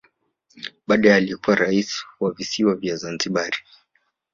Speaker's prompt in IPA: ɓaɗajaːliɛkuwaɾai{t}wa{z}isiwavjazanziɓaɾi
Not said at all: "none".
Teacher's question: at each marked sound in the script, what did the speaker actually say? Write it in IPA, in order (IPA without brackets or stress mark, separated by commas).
s, v